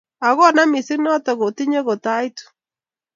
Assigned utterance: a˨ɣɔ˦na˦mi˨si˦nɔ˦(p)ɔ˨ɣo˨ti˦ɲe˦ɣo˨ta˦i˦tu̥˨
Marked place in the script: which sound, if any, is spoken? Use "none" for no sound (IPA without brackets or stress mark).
t